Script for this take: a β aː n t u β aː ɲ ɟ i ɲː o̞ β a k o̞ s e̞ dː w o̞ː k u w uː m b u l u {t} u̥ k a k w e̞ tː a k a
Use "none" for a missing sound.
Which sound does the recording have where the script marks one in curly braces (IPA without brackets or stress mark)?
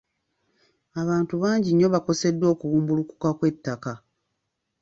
k